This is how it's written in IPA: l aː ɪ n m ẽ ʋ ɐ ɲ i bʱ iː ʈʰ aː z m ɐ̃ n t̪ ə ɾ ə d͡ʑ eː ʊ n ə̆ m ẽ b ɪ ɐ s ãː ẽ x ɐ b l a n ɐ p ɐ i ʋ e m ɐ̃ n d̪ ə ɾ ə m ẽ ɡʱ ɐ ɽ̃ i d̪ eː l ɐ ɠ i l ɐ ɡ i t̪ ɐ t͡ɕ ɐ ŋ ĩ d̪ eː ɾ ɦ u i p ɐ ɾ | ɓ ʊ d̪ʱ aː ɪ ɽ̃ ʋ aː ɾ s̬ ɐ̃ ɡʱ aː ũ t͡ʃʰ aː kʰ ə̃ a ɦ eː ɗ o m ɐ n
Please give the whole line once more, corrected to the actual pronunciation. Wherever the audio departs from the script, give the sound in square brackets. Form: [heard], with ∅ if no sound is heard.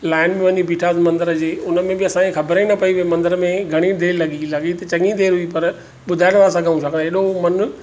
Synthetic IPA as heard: l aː ɪ n m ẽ ʋ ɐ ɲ i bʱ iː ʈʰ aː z m ɐ̃ n [d̪] ə ɾ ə d͡ʑ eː ʊ n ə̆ m ẽ b ɪ ɐ s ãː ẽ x ɐ b [ɾ] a n ɐ p ɐ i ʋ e m ɐ̃ n d̪ ə ɾ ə m ẽ ɡʱ ɐ ɽ̃ i d̪ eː l ɐ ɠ i l ɐ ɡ i t̪ ɐ t͡ɕ ɐ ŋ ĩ d̪ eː ɾ ɦ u i p ɐ ɾ | ɓ ʊ d̪ʱ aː ɪ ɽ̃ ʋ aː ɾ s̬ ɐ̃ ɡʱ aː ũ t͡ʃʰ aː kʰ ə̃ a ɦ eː ɗ o m ɐ n